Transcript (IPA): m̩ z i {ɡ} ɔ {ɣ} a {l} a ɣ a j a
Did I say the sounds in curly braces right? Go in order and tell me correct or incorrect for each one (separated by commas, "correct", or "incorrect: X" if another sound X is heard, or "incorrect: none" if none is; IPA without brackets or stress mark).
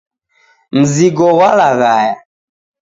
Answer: correct, incorrect: w, correct